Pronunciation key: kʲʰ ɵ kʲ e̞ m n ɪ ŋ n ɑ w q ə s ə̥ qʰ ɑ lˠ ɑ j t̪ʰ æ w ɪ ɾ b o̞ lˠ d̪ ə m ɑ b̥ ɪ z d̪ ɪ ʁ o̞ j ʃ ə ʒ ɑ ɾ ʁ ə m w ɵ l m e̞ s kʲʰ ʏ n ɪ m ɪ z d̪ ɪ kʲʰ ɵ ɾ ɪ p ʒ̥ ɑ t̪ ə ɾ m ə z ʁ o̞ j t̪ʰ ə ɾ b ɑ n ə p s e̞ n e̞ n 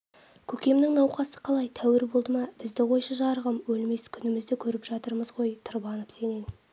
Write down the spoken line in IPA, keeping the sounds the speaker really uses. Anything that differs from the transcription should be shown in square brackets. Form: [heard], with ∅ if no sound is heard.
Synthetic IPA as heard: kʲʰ ɵ kʲ e̞ m n ɪ ŋ n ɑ w q [ɑ] s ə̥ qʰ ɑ lˠ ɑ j t̪ʰ æ w ɪ ɾ b o̞ lˠ d̪ ə m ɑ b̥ ɪ z d̪ ɪ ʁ o̞ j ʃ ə ʒ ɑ ɾ ʁ ə m w ɵ l m e̞ s kʲʰ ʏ n ɪ m ɪ z d̪ ɪ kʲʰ ɵ ɾ ɪ p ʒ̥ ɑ t̪ ə ɾ m ə z ʁ o̞ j t̪ʰ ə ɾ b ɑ n ə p s e̞ n e̞ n